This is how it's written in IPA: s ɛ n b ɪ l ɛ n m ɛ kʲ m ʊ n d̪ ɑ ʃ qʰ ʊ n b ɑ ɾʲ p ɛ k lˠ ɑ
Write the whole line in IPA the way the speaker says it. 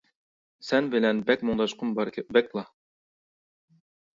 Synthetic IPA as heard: s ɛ n b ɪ l ɛ n b ɛ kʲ m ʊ ŋ d̪ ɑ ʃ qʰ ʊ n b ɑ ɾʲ b ɛ k lˠ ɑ